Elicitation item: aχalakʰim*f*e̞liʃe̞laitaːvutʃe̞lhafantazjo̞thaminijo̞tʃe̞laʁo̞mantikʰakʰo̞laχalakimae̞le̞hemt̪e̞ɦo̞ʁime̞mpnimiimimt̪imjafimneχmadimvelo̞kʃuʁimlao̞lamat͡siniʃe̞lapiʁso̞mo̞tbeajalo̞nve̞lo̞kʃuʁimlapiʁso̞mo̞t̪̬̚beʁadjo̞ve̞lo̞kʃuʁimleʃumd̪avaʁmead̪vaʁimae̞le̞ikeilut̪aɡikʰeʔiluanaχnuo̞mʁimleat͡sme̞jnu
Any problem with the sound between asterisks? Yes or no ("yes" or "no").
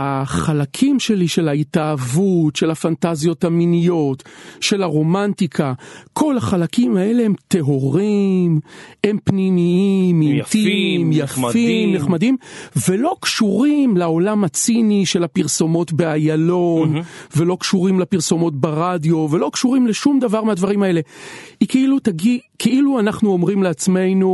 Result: yes